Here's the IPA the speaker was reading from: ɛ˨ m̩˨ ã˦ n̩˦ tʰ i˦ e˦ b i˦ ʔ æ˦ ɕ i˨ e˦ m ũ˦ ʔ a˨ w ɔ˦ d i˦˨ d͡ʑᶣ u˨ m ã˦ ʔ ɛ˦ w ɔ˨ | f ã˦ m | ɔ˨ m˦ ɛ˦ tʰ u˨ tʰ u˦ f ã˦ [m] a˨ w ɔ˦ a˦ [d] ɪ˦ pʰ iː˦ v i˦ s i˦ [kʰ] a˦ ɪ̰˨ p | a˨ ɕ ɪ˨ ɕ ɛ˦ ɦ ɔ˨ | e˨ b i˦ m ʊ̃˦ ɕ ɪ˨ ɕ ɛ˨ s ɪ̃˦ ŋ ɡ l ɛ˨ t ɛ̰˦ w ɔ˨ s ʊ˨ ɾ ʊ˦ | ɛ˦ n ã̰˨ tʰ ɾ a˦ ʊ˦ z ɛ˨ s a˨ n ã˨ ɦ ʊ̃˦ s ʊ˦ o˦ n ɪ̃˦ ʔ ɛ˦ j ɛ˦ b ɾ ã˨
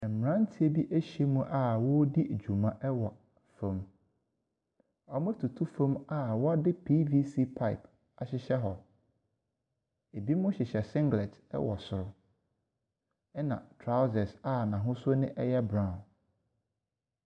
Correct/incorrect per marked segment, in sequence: correct, correct, incorrect

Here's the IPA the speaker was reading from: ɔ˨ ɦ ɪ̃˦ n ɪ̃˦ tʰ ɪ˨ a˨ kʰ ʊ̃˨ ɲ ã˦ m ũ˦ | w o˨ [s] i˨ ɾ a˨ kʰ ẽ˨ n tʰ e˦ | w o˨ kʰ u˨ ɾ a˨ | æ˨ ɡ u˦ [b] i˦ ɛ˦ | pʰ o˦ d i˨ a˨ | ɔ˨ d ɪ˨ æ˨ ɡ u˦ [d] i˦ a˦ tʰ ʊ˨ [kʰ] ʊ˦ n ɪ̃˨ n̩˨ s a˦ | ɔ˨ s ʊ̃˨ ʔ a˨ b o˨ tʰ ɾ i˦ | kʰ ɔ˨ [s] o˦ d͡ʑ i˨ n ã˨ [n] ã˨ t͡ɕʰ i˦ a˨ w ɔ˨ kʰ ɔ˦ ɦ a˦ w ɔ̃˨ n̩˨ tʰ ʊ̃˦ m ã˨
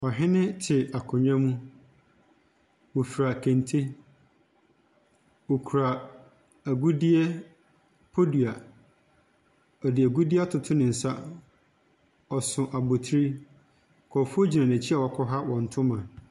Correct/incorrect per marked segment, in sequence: incorrect, incorrect, correct, incorrect, incorrect, correct

